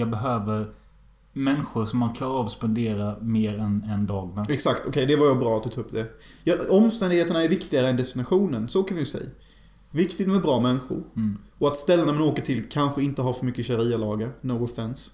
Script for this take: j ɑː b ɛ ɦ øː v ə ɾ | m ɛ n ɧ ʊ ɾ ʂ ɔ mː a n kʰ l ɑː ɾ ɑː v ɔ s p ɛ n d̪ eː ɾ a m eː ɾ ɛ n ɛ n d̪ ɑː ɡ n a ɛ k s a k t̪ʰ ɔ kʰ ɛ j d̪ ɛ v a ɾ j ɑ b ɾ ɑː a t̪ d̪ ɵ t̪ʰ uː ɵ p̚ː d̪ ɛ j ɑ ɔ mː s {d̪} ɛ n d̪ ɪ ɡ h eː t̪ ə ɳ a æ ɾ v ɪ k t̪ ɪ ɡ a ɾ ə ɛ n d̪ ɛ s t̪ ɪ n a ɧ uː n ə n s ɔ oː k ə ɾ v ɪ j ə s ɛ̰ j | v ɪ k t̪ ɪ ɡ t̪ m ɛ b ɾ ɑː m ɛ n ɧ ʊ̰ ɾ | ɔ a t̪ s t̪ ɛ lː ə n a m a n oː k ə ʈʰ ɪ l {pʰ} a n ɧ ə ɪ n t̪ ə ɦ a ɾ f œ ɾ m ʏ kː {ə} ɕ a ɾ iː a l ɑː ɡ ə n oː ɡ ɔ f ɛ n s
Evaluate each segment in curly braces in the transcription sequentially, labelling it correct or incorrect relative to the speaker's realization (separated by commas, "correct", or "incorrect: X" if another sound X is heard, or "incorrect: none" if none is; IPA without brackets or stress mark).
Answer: incorrect: t̪, incorrect: kʰ, correct